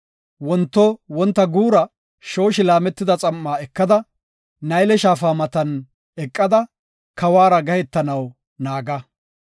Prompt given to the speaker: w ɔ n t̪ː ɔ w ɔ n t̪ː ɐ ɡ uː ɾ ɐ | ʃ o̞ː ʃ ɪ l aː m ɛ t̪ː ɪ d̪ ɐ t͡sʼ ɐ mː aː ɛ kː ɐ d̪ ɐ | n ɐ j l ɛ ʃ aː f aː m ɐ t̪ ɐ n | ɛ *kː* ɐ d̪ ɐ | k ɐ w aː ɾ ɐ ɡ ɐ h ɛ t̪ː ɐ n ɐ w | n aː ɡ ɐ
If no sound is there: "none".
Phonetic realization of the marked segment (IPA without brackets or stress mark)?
kʼː